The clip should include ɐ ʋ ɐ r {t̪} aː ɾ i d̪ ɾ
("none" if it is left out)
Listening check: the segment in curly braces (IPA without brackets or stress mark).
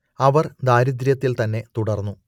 d̪